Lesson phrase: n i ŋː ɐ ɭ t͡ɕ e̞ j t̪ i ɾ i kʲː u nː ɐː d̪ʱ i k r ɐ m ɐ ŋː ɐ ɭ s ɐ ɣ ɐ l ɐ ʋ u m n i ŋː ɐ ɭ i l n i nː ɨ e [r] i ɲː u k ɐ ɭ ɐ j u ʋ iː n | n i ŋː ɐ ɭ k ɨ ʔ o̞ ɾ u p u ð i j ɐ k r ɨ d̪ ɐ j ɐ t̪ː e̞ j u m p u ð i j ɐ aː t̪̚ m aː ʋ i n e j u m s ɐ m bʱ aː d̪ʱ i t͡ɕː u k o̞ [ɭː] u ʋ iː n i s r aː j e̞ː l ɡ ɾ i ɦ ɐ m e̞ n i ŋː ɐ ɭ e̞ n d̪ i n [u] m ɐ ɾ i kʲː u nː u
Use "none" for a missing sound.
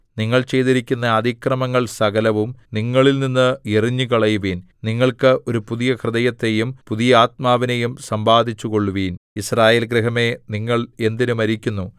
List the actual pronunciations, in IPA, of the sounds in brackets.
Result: r, ɭː, u

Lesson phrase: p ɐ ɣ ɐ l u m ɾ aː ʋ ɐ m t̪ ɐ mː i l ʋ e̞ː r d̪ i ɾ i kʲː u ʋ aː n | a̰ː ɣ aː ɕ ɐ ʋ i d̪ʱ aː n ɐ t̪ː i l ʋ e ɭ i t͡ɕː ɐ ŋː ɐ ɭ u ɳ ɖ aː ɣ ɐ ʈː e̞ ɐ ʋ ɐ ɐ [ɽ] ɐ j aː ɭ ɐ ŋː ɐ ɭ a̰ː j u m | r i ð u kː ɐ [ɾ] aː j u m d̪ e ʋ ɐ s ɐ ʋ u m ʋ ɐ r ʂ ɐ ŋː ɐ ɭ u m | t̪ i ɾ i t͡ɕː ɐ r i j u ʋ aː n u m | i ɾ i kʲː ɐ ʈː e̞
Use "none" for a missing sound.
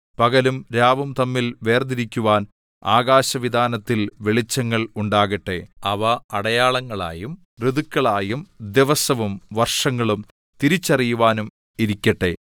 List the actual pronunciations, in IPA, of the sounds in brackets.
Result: ɽ, ɭ

